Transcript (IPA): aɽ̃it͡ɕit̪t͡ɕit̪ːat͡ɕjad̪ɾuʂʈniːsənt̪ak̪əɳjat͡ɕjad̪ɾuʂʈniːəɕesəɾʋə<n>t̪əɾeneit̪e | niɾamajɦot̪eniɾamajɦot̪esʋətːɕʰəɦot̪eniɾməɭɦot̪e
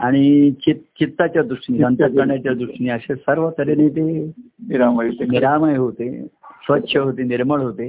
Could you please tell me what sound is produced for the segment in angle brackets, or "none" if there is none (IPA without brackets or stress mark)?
none